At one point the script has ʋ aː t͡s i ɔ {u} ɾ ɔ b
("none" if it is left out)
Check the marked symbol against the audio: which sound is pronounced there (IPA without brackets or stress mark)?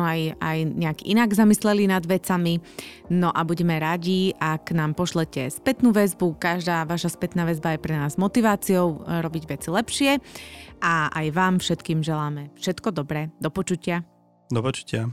ʊ